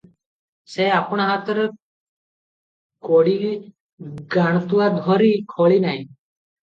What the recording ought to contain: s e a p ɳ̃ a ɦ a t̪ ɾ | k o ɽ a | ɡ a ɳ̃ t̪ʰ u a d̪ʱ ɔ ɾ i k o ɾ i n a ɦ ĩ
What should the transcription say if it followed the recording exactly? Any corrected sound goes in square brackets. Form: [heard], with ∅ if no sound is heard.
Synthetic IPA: s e a p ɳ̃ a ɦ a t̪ ɾ | k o ɽ [i] | ɡ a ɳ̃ [t̪] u a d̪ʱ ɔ ɾ i [kʰ] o [ɭ] i n a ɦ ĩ